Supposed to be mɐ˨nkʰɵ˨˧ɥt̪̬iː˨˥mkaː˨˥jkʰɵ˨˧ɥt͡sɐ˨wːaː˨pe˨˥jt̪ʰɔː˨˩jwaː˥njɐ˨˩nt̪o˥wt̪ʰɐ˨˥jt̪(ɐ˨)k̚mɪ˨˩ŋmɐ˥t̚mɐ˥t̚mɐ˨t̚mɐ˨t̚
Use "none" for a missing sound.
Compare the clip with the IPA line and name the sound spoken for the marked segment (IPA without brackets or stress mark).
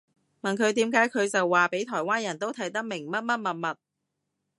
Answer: ɐ˥